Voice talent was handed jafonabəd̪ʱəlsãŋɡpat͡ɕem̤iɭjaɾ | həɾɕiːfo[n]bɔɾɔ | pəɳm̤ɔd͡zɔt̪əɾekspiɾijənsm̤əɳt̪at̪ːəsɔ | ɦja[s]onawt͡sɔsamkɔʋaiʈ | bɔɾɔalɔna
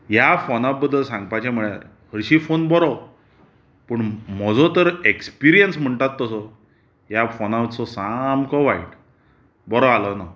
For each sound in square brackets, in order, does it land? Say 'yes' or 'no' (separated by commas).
yes, no